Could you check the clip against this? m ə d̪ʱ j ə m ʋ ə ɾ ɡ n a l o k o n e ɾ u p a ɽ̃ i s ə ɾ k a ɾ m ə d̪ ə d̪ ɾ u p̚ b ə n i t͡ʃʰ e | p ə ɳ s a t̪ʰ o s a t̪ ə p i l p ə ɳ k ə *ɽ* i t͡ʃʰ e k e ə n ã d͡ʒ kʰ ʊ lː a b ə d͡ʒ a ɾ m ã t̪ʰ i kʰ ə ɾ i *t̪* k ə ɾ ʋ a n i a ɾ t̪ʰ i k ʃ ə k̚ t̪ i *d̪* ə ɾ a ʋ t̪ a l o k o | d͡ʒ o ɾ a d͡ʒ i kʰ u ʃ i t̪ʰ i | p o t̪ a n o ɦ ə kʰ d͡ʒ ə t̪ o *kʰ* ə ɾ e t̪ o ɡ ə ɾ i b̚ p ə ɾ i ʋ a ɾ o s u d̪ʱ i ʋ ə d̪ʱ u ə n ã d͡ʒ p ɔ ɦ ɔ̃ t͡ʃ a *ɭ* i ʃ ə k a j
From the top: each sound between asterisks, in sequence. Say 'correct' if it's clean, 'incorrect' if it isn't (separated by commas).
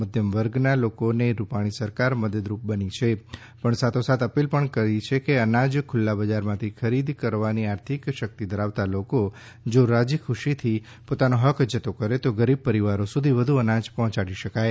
incorrect, incorrect, correct, incorrect, incorrect